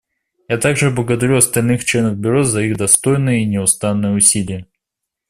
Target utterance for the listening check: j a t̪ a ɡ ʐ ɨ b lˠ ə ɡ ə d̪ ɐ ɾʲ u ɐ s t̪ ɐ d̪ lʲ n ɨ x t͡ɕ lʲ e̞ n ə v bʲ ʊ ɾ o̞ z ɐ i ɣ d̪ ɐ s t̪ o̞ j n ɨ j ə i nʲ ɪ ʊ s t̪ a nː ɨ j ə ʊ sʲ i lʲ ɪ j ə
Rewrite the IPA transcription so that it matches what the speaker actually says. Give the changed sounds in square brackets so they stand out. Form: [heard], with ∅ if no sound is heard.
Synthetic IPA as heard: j a t̪ a ɡ ʐ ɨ b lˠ ə ɡ ə d̪ ɐ ɾʲ u ɐ s t̪ ɐ [∅] lʲ n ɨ x t͡ɕ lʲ e̞ n ə v bʲ ʊ ɾ o̞ z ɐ i ɣ d̪ ɐ s t̪ o̞ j n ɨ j ə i nʲ ɪ ʊ s t̪ a nː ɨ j ə ʊ sʲ i lʲ ɪ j ə